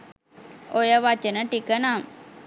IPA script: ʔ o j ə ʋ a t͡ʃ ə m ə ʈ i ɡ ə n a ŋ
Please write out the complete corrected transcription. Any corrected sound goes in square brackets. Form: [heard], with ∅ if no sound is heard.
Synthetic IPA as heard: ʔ o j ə ʋ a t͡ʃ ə [n] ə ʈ i [k] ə n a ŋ